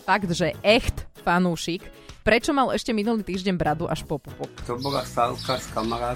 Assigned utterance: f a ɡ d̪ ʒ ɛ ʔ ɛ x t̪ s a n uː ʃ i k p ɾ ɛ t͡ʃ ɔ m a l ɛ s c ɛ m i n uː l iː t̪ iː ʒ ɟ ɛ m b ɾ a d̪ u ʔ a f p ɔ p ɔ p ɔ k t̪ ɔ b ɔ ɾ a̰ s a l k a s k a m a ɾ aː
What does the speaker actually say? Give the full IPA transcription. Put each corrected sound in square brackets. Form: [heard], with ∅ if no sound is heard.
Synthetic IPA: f a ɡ d̪ ʒ ɛ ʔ ɛ x t̪ [f] a n uː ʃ i k p ɾ ɛ t͡ʃ ɔ m a l ɛ [ʃ] c ɛ m i n [u] l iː t̪ iː ʒ ɟ ɛ [ɲ] b ɾ a d̪ u ʔ a [ʃ] p ɔ p [u] p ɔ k t̪ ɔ b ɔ [l] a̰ s a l k a s k a m a ɾ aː